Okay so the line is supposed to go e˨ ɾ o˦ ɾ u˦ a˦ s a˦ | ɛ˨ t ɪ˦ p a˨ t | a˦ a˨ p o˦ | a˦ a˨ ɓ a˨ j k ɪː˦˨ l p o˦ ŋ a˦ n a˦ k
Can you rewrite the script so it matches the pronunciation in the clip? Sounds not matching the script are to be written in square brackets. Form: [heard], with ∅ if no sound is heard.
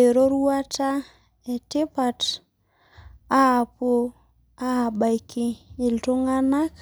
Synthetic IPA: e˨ ɾ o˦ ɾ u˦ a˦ [t] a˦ | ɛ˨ t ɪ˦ p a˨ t | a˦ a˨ p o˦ | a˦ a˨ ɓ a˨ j k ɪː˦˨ l [t] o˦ ŋ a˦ n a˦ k

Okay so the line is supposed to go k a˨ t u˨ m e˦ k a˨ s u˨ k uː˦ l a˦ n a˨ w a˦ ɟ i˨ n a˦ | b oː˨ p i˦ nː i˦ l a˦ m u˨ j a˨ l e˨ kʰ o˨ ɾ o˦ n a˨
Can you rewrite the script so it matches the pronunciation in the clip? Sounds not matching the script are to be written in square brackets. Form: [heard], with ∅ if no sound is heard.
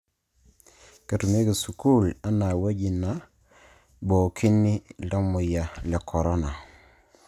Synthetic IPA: k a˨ t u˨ m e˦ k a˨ s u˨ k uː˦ l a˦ n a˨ w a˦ ɟ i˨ n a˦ | b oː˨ [k] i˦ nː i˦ l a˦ m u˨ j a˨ l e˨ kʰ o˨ ɾ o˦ n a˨

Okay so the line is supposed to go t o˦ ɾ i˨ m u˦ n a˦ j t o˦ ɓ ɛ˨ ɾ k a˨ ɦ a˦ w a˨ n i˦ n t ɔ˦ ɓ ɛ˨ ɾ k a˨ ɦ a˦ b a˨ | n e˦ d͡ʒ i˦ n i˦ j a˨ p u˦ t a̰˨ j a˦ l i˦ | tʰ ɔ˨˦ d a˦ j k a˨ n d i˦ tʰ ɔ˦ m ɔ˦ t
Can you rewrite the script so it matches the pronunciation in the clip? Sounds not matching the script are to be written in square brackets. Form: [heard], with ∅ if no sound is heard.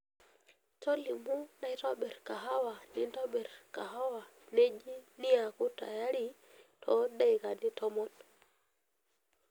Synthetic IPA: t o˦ [l] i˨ m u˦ n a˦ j t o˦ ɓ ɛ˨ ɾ k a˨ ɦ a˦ w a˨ n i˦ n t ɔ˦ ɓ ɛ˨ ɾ k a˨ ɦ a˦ [w] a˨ | n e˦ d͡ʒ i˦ n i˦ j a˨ [k] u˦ t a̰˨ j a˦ [ɾ] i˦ | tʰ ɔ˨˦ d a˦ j k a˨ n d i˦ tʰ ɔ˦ m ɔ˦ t

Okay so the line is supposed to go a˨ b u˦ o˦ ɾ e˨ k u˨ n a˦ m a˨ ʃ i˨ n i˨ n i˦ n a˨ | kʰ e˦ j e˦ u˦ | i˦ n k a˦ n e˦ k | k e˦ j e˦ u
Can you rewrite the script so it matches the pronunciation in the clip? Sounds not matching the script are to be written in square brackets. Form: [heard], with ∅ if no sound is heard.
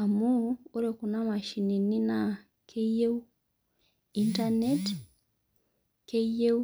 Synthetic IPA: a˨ [m] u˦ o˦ ɾ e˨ k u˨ n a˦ m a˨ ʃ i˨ n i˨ n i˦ n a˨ | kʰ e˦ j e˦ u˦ | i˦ n [t] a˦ n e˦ [t] | k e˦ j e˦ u

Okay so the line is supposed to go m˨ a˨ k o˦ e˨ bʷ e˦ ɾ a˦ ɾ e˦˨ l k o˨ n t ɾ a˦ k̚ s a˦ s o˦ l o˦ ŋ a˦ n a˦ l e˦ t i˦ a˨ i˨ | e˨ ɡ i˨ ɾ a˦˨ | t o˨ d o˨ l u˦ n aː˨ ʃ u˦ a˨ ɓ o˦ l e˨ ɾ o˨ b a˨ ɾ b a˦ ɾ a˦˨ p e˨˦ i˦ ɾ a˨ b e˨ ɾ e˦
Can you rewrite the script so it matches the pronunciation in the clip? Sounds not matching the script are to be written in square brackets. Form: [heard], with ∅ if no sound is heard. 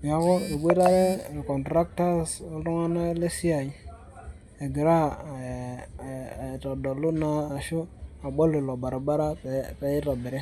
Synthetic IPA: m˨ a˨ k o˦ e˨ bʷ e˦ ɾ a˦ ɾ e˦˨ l k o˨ n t ɾ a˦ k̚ [t] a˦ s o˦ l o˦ ŋ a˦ n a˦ l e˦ [s] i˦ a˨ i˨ | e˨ ɡ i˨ ɾ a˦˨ | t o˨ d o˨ l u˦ n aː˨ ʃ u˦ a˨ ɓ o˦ l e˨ [l] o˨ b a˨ ɾ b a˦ ɾ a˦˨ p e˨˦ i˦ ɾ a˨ b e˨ ɾ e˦

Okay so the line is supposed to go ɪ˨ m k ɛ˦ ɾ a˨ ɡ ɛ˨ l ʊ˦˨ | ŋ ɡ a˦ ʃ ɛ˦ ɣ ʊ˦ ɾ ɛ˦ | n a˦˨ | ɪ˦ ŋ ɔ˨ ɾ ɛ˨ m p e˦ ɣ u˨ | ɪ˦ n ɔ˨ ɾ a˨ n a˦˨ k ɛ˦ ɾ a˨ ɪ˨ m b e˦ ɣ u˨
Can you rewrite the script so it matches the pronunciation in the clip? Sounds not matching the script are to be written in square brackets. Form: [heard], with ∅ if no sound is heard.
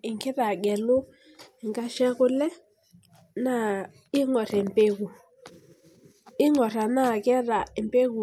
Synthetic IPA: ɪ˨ [ŋ] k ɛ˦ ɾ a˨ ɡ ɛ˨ l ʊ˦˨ | ŋ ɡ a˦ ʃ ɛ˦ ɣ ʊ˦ [l] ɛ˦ | n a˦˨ | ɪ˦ ŋ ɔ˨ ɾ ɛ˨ m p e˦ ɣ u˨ | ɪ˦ [ŋ] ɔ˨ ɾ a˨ n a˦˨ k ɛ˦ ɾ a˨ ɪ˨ m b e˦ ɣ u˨

